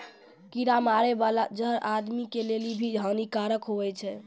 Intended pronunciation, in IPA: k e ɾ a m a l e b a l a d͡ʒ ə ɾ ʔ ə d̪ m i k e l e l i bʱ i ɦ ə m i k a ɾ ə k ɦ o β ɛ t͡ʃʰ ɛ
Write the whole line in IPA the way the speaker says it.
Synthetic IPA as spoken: k i ɾ a m a ɾ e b a l a d͡ʒ ə ɾ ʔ a d̪ m i k e l e l i bʱ i ɦ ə n i k a ɾ ə k ɦ o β ɛ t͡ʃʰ ɛ